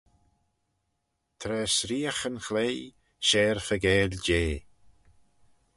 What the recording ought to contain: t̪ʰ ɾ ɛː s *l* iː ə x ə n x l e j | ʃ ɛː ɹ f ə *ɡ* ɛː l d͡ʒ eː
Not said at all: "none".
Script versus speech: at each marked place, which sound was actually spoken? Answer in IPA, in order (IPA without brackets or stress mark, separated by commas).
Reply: ɾ, ɡ